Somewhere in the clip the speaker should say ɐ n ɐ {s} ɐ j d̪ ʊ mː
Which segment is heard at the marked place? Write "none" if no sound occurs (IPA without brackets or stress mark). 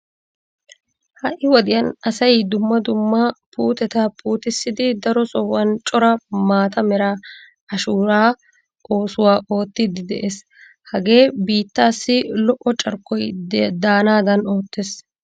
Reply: s